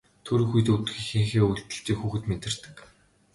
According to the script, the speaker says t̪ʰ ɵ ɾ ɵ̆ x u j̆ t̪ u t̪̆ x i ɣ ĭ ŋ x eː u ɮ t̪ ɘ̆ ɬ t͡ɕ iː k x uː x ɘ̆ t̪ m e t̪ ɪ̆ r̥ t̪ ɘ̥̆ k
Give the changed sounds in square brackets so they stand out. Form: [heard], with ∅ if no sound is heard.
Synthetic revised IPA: t̪ʰ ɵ ɾ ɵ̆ x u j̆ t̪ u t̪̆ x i [x] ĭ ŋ x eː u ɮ t̪ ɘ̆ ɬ t͡ɕ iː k x uː x ɘ̆ t̪ m e t̪ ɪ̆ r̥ t̪ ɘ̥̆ k